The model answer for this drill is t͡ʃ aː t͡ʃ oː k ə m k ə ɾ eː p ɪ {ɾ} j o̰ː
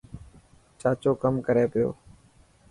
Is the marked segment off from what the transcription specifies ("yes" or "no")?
yes